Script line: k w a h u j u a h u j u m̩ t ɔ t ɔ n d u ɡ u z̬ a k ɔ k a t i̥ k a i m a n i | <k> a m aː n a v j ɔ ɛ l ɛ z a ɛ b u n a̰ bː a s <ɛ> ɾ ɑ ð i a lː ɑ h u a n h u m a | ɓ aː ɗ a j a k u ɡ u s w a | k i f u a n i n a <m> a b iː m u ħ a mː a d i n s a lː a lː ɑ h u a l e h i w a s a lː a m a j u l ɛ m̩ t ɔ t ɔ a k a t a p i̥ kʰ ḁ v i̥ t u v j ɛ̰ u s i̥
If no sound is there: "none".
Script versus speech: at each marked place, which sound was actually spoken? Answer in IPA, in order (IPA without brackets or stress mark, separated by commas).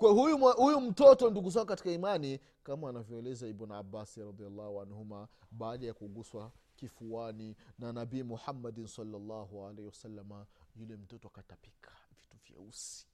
k, i, n